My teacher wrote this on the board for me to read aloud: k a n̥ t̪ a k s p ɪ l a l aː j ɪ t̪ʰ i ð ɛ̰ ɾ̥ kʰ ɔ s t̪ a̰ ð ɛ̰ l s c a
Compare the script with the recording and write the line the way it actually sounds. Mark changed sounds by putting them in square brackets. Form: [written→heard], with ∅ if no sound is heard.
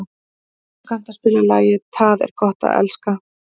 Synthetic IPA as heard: k a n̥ t̪ a [k→∅] s p ɪ l a l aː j ɪ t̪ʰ [i→a] ð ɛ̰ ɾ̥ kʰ ɔ [s→h] t̪ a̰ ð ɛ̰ l s [c→k] a

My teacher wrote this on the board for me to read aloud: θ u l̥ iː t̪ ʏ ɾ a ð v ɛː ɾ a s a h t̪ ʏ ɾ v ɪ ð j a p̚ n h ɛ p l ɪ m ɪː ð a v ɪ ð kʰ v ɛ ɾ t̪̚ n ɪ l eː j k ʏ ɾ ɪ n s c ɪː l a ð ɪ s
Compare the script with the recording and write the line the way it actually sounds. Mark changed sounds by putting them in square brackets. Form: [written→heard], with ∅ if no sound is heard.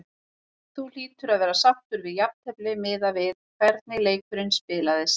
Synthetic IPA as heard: θ u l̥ iː t̪ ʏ ɾ a ð v ɛː ɾ a s a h t̪ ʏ ɾ v ɪ ð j a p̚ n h ɛ p l ɪ m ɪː ð a v ɪ ð kʰ v ɛ ɾ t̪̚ n ɪ l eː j k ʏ ɾ ɪ n s [c→p] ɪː l a ð ɪ s

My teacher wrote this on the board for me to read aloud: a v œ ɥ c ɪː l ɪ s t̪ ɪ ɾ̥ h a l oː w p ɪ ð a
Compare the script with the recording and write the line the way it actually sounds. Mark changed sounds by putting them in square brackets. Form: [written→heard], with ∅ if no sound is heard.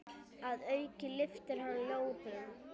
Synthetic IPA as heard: a [v→ð] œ ɥ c [ɪː→ɪ] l ɪ [s→f] t̪ ɪ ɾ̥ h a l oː w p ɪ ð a

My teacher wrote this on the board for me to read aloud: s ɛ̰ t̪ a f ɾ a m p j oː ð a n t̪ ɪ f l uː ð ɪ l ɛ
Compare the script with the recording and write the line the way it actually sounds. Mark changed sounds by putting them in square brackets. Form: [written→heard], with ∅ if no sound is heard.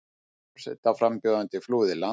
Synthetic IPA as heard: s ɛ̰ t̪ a f ɾ a m p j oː ð a n t̪ ɪ f l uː ð ɪ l [ɛ→a]

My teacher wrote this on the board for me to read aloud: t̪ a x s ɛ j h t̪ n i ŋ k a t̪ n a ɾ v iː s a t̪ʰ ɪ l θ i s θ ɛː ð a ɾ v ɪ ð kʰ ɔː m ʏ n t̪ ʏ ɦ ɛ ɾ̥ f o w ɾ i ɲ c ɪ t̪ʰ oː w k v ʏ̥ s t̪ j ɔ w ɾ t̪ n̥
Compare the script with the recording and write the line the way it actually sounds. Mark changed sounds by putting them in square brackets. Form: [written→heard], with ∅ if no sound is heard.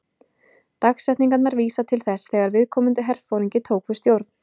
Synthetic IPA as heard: t̪ a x s ɛ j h t̪ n i ŋ k a t̪ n a ɾ v iː s a t̪ʰ ɪ l θ [i→ɛ] s θ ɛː [ð→ɣ] a ɾ v ɪ ð kʰ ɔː m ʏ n t̪ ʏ ɦ ɛ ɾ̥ f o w ɾ i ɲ c ɪ t̪ʰ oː w k v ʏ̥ s t̪ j [ɔ→o] w ɾ t̪ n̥

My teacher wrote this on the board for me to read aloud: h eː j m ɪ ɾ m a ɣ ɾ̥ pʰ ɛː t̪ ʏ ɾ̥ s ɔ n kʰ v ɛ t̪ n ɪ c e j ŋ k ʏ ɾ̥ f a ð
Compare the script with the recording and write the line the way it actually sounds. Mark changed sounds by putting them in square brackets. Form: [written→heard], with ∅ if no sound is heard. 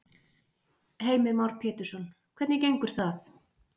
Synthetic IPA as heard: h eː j m ɪ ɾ m a [ɣ→w] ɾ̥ pʰ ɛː t̪ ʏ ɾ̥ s ɔ n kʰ v ɛ t̪ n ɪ c e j ŋ k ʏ ɾ̥ [f→θ] a [ð→θ]

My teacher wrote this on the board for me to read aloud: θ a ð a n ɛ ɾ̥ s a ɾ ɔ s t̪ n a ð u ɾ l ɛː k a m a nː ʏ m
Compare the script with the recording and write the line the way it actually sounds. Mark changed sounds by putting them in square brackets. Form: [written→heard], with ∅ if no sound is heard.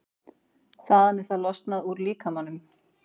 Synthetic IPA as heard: θ a ð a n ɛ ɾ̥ [s→θ] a [ɾ→l] ɔ s t̪ n a ð u ɾ l [ɛː→iː] k a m a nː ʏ m

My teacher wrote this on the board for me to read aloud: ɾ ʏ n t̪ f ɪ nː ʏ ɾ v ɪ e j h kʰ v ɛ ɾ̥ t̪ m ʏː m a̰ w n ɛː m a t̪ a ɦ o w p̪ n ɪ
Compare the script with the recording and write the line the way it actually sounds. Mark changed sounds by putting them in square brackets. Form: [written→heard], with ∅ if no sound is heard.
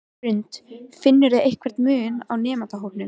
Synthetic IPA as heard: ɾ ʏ n t̪ f ɪ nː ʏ ɾ [v→ð] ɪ e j h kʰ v ɛ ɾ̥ t̪ m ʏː [m→n] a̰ w n ɛː m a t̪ a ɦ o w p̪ n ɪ

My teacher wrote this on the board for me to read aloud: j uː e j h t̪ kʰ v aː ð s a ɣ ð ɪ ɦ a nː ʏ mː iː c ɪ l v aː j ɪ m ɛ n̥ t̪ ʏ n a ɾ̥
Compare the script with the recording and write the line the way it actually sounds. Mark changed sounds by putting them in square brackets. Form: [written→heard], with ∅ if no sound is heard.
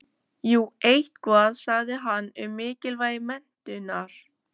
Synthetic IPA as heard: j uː e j h t̪ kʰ v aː ð s a ɣ ð ɪ ɦ a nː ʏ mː [iː→ɪː] c ɪ l v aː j ɪ m ɛ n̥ t̪ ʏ n a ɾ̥

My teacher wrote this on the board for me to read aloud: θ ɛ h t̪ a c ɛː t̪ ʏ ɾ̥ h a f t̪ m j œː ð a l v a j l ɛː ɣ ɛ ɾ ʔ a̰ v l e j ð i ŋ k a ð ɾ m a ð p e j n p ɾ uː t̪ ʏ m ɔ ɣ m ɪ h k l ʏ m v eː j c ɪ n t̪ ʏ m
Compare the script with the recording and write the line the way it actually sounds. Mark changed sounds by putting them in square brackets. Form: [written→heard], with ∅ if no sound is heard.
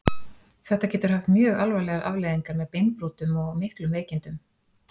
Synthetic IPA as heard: θ ɛ h t̪ a c ɛː t̪ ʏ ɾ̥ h a f t̪ m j œː [ð→ɣ] a l v a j l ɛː ɣ [ɛ→a] ɾ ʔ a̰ v l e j ð i ŋ k a [ð→∅] ɾ m [a→ɛ] ð p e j n p ɾ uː t̪ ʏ m ɔ ɣ m ɪ h k l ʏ m v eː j c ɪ n t̪ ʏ m

